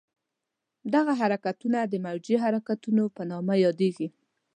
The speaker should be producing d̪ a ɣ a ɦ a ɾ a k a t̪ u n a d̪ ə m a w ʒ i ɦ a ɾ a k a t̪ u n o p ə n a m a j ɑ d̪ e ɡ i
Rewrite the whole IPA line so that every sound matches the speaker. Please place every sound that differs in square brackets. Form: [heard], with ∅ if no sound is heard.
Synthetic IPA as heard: d̪ a ɣ a ɦ a ɾ a k a t̪ u n a d̪ ə m a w [d͡ʒ] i ɦ a ɾ a k a t̪ u n o p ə n [ɑ] m a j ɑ d̪ e ɡ i